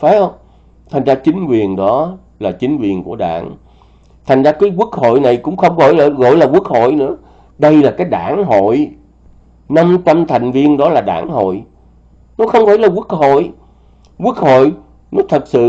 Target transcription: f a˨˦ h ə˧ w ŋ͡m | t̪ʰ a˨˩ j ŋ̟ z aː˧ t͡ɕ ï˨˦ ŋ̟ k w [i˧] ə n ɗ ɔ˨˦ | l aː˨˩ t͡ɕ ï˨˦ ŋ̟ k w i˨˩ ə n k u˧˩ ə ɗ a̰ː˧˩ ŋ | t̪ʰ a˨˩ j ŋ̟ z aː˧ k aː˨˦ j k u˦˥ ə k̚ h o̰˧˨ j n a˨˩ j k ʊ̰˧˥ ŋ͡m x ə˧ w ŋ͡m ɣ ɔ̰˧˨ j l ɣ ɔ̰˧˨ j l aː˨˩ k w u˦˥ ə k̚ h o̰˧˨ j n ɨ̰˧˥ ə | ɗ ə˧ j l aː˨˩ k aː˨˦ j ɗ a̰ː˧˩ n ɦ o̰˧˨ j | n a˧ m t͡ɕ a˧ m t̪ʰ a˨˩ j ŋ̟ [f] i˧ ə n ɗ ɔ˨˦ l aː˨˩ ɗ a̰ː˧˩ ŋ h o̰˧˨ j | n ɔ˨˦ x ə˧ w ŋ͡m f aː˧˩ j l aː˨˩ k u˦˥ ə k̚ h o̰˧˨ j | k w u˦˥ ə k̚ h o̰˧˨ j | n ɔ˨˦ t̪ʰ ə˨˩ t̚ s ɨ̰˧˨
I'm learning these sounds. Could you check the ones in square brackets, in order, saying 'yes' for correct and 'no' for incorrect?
no, no

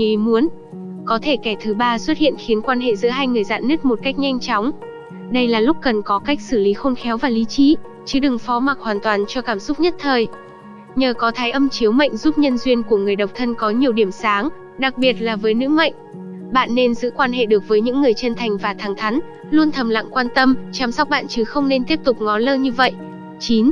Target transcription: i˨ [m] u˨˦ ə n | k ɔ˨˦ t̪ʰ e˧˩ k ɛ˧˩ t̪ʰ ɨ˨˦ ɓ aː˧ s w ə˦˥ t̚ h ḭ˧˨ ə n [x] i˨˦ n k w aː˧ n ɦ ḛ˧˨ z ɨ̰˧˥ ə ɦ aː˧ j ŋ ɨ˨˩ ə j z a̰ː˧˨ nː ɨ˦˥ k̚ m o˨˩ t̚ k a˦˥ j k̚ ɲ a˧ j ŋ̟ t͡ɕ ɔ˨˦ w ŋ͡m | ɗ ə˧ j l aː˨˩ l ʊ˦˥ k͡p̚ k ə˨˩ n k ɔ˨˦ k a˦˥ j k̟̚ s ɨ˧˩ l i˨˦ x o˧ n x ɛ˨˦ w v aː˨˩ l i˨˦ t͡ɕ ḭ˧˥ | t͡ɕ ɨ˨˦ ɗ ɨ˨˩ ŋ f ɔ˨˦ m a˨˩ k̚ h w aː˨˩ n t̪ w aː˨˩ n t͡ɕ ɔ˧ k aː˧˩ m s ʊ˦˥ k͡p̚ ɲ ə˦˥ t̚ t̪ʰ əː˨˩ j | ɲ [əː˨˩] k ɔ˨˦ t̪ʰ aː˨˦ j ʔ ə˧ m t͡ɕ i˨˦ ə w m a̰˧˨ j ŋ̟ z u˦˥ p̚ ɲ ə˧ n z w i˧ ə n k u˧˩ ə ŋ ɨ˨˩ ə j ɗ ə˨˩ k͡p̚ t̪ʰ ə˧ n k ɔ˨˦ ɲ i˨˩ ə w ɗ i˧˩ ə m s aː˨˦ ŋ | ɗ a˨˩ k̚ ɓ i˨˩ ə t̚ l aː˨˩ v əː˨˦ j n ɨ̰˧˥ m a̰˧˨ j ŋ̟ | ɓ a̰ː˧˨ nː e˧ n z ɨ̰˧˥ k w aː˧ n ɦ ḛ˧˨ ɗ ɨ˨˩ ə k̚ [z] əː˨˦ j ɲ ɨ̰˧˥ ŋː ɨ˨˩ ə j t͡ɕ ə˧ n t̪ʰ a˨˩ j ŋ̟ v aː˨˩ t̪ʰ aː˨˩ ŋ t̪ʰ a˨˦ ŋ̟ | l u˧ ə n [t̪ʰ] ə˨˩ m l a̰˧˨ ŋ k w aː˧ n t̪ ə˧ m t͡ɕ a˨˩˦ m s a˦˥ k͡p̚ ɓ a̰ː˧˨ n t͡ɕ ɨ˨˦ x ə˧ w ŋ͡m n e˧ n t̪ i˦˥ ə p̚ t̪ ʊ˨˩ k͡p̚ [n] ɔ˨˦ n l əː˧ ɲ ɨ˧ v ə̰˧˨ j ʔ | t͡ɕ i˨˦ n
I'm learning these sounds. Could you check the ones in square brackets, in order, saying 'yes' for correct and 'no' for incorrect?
yes, yes, yes, no, yes, no

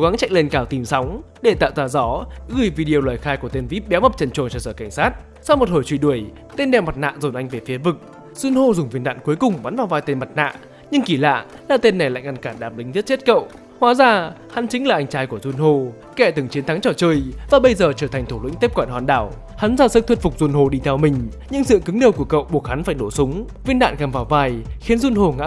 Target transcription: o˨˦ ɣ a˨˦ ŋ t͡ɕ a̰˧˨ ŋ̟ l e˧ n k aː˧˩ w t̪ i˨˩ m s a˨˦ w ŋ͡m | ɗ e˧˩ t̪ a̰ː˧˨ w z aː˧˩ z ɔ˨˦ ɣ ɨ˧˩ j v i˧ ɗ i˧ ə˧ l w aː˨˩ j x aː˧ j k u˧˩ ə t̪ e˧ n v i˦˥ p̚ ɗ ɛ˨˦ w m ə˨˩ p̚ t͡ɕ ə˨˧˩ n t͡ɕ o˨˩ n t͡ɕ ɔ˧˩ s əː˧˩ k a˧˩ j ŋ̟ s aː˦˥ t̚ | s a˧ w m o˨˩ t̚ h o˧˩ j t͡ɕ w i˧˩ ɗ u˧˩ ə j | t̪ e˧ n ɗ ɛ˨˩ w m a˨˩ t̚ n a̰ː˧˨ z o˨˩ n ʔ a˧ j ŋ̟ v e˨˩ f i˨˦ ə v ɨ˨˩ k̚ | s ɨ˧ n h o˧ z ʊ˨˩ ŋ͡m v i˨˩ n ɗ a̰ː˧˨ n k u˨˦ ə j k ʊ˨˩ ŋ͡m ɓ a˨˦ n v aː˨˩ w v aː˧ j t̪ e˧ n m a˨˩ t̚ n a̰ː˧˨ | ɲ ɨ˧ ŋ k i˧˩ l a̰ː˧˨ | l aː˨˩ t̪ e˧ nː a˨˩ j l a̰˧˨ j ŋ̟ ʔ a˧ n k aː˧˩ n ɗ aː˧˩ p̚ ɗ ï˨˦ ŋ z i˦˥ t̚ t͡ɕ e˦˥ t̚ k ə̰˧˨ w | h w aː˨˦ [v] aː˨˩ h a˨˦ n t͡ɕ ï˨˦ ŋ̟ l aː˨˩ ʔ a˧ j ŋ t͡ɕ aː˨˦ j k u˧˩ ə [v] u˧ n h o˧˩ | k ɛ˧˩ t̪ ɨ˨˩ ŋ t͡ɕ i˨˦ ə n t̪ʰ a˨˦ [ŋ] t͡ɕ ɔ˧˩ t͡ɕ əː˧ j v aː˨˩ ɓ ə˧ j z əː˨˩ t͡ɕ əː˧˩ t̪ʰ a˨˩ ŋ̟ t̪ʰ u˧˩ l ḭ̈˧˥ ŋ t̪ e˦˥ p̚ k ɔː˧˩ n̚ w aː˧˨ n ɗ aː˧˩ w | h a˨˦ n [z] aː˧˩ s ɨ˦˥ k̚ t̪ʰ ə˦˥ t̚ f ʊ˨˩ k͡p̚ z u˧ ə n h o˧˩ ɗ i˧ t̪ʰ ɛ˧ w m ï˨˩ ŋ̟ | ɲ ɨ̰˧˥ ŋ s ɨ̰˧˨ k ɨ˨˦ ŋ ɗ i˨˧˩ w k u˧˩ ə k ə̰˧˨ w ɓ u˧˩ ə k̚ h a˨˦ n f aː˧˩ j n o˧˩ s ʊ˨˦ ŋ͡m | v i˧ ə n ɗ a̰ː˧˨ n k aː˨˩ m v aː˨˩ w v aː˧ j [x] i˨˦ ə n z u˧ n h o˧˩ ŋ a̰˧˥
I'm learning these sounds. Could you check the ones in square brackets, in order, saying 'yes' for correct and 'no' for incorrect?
no, no, yes, yes, yes

